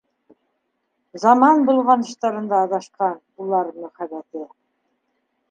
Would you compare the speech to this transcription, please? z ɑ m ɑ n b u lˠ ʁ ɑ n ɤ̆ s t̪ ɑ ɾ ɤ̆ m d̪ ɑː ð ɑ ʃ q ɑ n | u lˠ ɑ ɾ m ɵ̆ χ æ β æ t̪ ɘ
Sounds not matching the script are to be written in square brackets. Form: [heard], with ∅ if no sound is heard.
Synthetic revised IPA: z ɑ m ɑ n b u lˠ ʁ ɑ n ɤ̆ [ʃ] t̪ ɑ ɾ ɤ̆ [n] d̪ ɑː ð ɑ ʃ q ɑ n | u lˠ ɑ ɾ m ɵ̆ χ æ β æ t̪ ɘ